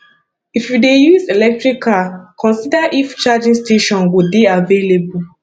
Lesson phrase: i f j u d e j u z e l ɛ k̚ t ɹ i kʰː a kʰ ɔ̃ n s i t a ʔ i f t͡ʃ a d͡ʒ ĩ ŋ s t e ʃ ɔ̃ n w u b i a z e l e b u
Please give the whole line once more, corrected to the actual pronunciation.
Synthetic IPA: i f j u d e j u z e l ɛ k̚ t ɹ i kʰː a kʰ ɔ̃ n s i d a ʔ i f t͡ʃ a d͡ʒ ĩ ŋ s t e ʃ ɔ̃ n w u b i a v e l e b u